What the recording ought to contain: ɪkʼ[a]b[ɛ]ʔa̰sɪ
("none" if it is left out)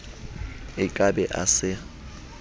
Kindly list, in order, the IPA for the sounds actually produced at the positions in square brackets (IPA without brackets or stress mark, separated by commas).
a, ɛ